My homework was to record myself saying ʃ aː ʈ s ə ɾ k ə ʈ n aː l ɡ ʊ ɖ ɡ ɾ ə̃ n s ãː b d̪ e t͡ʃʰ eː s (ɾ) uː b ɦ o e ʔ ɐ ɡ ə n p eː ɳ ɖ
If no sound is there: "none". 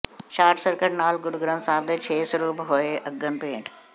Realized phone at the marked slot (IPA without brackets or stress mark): ɾ